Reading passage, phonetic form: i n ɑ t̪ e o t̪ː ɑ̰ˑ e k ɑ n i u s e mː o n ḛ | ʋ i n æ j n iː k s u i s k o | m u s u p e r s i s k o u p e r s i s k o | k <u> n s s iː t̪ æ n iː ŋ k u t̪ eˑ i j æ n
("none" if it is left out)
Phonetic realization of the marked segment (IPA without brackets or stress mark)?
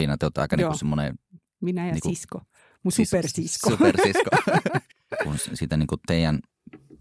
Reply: u